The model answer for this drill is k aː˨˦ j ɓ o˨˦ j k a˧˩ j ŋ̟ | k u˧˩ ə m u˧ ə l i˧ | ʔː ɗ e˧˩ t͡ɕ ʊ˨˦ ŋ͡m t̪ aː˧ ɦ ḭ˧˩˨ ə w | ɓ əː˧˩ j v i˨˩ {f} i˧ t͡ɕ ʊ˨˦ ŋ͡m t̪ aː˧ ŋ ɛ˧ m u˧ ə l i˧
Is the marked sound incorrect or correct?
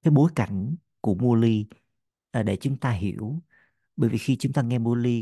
incorrect